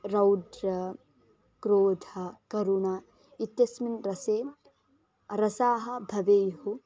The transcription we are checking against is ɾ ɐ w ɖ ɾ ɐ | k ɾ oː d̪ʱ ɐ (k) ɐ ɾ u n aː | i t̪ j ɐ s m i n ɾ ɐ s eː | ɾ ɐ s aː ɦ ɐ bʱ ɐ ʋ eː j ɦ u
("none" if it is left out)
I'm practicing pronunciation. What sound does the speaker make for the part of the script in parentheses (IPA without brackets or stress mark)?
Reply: k